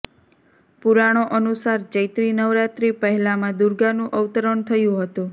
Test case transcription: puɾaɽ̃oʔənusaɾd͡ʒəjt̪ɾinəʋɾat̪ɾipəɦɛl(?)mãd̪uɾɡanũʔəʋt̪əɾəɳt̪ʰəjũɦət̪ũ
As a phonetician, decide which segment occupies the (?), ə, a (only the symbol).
a